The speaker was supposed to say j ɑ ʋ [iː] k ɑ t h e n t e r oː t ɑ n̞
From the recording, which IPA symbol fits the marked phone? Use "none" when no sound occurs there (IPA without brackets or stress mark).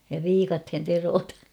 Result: iː